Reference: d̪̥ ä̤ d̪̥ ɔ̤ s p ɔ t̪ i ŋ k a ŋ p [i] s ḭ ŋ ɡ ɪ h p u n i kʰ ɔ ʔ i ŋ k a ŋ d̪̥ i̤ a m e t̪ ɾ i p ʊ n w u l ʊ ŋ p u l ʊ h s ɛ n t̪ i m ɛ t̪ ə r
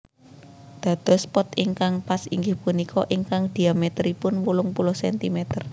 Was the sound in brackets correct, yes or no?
no